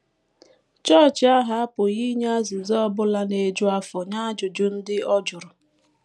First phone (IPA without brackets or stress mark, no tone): t͡ʃ